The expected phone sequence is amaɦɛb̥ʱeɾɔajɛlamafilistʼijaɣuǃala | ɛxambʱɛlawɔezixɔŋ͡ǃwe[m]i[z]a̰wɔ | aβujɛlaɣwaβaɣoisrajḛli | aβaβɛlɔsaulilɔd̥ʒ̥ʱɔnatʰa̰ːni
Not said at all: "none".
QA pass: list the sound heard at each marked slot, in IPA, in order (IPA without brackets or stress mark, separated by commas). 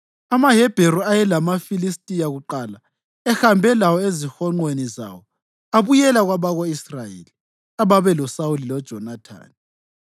n, z